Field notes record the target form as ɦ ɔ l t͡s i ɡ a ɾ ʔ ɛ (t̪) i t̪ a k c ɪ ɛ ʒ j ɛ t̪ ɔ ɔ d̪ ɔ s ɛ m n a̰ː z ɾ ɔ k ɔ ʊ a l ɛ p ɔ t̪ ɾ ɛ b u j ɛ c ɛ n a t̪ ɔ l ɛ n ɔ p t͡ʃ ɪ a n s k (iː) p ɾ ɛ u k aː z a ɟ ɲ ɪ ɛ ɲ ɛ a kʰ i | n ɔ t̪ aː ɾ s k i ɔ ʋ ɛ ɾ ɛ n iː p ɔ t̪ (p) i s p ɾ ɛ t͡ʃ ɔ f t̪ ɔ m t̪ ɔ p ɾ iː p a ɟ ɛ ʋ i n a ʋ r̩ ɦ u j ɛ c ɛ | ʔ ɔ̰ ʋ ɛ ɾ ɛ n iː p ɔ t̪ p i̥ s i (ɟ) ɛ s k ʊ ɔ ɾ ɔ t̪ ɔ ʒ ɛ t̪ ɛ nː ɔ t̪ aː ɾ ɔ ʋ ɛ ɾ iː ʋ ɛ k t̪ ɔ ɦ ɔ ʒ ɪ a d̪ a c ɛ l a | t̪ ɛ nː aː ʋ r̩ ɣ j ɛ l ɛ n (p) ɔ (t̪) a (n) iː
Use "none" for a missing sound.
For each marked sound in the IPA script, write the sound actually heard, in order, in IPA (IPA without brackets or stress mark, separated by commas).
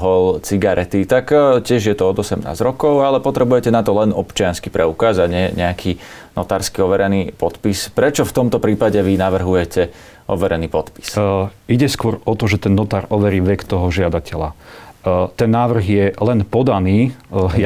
t̪, i, p, ɟ, p, d̪, n